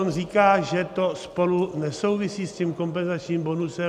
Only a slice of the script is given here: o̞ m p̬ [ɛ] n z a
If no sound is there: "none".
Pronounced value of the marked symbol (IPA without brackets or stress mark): ɛ